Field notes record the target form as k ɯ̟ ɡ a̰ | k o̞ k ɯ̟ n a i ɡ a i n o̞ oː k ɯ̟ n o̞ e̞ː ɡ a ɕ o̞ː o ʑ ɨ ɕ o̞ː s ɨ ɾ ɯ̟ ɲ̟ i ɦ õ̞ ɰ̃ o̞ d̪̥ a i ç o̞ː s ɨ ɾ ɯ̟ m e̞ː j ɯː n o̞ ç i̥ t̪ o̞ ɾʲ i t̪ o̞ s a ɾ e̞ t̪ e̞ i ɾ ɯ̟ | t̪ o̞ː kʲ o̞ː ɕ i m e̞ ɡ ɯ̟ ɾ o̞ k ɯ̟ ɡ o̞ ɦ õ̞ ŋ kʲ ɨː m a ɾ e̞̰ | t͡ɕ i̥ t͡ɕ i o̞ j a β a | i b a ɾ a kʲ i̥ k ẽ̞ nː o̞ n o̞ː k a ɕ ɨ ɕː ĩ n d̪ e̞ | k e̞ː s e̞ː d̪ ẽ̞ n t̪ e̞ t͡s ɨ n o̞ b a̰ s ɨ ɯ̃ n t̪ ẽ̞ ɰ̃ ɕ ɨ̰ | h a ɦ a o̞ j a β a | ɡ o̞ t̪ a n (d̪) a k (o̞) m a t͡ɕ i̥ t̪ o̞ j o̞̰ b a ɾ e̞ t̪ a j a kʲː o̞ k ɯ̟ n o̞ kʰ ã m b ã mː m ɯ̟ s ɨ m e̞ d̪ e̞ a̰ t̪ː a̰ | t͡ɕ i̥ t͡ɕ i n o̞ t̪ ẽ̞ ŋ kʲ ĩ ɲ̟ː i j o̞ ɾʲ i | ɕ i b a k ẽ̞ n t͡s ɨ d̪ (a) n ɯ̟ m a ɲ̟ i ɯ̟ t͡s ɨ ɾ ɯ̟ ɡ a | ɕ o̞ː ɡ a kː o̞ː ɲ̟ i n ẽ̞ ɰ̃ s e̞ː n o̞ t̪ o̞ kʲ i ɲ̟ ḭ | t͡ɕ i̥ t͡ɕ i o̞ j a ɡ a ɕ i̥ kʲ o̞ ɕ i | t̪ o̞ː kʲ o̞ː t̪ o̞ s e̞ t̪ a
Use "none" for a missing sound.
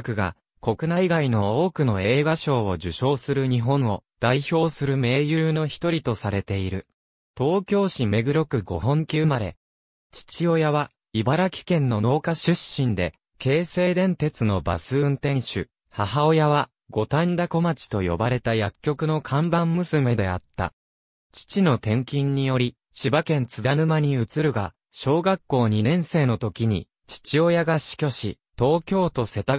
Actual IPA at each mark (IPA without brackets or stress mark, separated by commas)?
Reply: d̪, o̞, a